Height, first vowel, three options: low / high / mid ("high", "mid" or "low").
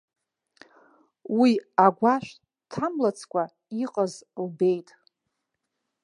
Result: high